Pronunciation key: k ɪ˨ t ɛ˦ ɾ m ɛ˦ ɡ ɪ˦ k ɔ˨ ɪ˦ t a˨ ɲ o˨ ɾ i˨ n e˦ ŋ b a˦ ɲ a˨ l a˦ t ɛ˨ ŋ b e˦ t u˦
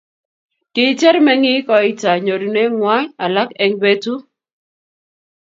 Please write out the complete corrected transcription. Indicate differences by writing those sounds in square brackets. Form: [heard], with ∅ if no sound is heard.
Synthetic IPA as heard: k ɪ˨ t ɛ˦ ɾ m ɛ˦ [ŋ] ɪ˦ k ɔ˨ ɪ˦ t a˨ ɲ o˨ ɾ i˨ n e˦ ŋ [w] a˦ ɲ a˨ l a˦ [k] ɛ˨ ŋ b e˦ t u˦